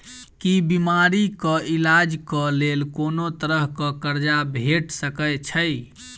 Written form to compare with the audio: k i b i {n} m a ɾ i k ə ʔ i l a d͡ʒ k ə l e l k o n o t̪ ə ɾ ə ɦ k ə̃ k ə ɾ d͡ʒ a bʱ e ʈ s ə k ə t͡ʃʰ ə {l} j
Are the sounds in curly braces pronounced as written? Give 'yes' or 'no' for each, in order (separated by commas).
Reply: no, no